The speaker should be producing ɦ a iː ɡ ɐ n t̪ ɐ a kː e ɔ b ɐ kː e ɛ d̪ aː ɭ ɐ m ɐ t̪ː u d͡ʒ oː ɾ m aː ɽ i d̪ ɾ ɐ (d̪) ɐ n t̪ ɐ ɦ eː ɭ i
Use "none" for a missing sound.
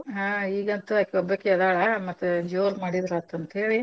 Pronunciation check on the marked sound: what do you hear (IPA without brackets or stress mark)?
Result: t̪